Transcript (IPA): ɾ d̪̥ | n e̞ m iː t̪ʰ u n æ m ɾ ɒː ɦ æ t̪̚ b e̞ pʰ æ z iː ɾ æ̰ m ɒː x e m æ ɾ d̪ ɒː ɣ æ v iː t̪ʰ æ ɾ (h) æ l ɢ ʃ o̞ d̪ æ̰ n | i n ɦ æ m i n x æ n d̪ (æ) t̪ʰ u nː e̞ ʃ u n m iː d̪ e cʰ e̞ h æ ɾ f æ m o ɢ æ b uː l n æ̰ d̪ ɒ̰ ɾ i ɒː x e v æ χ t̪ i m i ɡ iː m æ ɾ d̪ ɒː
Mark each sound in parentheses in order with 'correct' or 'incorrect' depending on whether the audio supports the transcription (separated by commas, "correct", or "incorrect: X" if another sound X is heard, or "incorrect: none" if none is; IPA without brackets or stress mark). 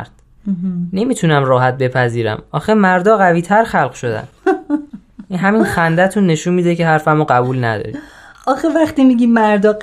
incorrect: x, correct